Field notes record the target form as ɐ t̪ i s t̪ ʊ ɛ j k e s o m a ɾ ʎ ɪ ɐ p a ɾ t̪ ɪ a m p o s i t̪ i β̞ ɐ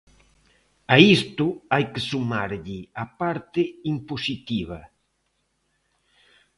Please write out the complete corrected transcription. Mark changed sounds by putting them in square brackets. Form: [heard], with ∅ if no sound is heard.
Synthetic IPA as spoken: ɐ [∅] i s t̪ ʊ [a] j k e s [u] m a ɾ ʎ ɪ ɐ p a ɾ t̪ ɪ [i] m p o s i t̪ i β̞ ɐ